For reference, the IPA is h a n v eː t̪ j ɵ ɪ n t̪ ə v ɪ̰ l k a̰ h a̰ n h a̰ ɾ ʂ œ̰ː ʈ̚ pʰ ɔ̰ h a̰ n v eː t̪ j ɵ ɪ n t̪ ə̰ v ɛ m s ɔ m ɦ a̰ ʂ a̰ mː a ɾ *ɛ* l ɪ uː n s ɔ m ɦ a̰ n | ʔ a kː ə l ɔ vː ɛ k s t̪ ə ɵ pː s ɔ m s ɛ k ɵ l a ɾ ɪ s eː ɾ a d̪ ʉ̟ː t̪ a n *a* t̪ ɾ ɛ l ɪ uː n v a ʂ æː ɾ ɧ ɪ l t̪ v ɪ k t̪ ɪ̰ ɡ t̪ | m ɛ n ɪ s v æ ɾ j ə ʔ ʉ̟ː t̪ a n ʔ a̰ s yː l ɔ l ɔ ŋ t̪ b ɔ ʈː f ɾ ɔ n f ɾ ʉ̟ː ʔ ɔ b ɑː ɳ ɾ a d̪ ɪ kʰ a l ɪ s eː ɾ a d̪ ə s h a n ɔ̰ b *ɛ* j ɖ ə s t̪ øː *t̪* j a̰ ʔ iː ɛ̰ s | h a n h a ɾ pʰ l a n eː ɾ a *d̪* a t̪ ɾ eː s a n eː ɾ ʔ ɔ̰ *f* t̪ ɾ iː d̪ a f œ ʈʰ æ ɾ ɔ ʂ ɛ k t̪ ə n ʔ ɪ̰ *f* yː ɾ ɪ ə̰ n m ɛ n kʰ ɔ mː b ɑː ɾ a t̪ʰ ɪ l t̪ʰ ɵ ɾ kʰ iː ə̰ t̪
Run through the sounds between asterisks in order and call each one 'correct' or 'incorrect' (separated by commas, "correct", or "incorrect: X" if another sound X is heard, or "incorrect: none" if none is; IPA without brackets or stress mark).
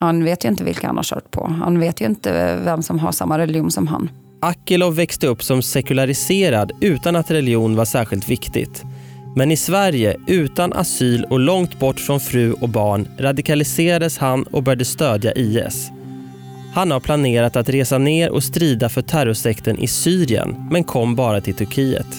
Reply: correct, correct, incorrect: œ, incorrect: d̪, incorrect: t̪, incorrect: s, incorrect: s